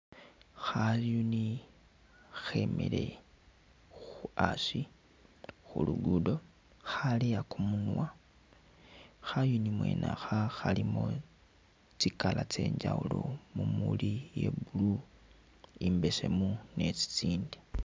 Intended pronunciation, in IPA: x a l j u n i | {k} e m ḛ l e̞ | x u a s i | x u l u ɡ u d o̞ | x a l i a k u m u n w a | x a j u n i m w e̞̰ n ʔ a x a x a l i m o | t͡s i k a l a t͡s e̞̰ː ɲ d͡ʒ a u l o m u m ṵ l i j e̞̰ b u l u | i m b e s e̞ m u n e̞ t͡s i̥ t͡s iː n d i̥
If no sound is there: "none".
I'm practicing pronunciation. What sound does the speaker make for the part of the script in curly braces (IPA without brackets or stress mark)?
x